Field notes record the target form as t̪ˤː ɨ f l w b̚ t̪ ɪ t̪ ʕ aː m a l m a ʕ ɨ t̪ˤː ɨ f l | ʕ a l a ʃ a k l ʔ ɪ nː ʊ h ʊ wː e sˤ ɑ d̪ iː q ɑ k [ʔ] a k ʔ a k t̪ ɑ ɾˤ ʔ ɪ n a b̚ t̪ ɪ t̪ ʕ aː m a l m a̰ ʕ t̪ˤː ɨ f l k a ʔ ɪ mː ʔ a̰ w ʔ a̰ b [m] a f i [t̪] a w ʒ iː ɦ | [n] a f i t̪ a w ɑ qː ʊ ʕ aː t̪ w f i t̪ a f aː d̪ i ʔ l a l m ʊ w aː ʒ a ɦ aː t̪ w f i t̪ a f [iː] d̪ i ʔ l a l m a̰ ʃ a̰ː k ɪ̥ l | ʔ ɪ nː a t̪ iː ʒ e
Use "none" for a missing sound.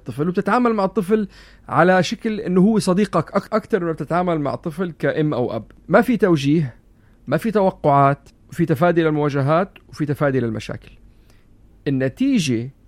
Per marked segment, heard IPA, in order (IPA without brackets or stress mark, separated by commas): ʔ, m, t̪, m, aː